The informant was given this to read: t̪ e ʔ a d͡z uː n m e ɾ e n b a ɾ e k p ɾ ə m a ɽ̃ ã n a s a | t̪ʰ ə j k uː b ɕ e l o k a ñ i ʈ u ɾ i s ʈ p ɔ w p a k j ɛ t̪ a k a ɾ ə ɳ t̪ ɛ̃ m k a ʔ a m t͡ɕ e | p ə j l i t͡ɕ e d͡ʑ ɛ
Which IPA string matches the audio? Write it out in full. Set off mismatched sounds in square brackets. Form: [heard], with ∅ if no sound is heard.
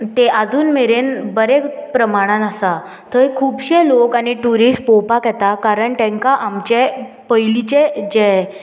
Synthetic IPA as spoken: t̪ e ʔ a d͡z uː n m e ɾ e n b [ə] ɾ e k p ɾ ə m a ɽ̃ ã n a s a | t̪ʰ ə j [kʰ] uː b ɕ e l o k a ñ i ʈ u ɾ i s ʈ p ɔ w p a k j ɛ t̪ a k a ɾ ə ɳ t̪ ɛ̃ [ŋ] k a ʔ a m t͡ɕ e | p ə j l i t͡ɕ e d͡ʑ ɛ